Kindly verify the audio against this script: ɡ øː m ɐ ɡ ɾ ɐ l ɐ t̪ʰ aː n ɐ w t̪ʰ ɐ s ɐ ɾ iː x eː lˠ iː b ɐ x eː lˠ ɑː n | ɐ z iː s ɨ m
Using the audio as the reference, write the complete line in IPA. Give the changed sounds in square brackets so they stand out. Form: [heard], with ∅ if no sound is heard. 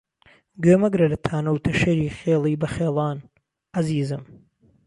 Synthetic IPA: ɡ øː m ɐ ɡ ɾ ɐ l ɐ t̪ʰ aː n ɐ w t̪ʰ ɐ [ʃ] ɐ ɾ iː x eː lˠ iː b ɐ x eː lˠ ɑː n | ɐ z iː [z] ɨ m